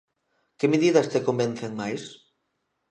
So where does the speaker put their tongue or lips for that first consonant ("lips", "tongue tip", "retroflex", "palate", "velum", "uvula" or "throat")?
velum